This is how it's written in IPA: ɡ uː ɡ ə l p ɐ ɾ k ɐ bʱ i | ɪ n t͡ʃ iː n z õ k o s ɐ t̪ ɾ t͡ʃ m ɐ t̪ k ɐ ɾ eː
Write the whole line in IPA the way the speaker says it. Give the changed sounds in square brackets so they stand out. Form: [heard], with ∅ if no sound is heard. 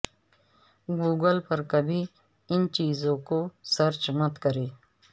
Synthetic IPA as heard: ɡ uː ɡ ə l p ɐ ɾ k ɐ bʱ i | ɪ n t͡ʃ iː [∅] z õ k o s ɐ [∅] ɾ t͡ʃ m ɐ t̪ k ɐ ɾ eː